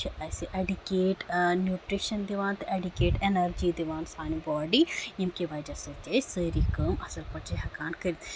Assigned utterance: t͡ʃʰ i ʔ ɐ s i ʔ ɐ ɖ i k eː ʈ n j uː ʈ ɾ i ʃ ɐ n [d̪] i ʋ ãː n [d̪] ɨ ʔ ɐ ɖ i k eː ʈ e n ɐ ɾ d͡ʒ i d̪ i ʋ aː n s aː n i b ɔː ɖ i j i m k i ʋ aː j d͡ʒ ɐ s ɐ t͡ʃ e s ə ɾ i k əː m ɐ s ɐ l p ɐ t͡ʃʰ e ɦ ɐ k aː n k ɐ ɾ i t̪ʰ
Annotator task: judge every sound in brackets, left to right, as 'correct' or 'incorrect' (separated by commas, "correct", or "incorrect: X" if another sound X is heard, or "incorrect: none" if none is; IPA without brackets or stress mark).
correct, incorrect: t̪